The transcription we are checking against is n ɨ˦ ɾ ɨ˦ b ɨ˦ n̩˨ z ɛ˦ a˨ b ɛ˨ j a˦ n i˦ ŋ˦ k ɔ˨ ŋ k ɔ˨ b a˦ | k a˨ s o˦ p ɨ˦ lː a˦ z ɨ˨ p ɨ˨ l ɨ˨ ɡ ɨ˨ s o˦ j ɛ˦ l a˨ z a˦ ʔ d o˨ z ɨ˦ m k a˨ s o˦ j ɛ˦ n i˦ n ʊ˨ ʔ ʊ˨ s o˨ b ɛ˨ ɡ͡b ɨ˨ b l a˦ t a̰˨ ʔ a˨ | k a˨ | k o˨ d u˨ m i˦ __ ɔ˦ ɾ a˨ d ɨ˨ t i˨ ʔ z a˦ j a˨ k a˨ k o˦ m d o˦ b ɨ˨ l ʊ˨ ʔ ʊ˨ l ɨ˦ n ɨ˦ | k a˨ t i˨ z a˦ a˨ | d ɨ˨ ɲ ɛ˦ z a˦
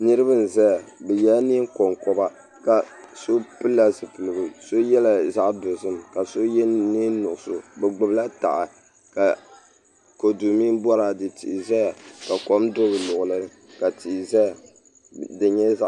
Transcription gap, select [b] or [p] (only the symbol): b